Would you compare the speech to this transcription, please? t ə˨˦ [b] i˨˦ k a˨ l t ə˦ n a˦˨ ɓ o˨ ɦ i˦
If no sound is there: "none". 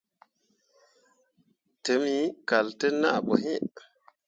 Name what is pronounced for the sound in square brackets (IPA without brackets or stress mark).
m